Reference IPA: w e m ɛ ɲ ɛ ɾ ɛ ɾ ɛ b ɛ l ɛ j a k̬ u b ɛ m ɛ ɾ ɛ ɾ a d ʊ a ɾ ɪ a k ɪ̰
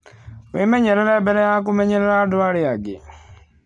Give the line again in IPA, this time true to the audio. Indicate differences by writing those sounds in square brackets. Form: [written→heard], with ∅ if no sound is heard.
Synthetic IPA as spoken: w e m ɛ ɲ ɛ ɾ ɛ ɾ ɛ b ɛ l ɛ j a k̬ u [b→m] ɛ [m→ɲ] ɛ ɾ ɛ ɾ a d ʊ a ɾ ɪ a [k→ɡ] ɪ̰